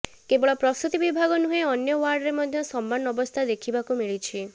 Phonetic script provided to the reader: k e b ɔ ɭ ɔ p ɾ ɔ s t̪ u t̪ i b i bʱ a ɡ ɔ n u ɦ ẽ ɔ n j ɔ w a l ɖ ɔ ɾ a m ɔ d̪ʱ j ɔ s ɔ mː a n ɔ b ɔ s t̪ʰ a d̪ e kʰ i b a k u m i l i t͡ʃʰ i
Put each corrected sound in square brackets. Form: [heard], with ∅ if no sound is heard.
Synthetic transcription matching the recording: k e b ɔ ɭ ɔ p ɾ ɔ s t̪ u t̪ i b i bʱ a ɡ ɔ n u ɦ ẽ ɔ n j ɔ w a [ɾ] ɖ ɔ ɾ [e] m ɔ d̪ʱ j ɔ s ɔ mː a n ɔ b ɔ s t̪ʰ a d̪ e kʰ i b a k u m i [ɭ] i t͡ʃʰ i